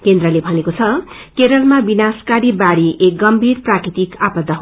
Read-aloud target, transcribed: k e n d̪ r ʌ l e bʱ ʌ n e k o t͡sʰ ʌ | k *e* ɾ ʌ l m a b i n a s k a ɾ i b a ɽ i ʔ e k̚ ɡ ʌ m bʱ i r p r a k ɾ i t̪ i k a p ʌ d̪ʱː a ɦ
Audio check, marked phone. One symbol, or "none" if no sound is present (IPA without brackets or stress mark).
e